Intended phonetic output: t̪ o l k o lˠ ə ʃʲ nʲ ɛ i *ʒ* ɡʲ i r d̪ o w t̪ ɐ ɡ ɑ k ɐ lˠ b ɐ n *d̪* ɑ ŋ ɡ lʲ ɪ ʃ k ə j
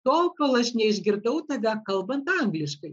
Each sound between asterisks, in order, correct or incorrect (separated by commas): correct, incorrect